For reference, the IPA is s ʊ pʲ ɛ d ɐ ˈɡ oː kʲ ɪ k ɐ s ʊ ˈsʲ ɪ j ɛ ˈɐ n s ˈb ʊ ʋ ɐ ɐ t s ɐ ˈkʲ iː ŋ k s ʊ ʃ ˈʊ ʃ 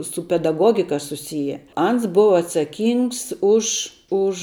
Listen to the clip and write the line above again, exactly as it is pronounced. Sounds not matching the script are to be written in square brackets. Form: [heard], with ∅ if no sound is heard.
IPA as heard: s ʊ pʲ ɛ d ɐ ˈɡ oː [ɡʲ] ɪ k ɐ s ʊ ˈsʲ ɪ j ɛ ˈɐ n s ˈb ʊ ʋ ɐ ɐ t s ɐ ˈkʲ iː ŋ k s ʊ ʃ ˈʊ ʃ